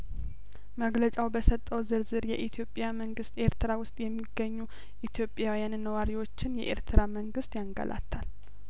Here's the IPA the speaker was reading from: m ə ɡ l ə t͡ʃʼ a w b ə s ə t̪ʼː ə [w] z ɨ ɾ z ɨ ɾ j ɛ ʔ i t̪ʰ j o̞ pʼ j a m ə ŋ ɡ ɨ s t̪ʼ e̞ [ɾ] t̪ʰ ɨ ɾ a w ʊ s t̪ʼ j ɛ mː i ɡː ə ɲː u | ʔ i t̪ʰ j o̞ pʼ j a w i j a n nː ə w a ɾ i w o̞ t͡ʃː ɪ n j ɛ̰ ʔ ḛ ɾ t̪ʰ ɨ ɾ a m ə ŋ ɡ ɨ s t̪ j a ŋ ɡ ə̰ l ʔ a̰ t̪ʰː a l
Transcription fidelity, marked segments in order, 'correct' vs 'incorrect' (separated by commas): correct, correct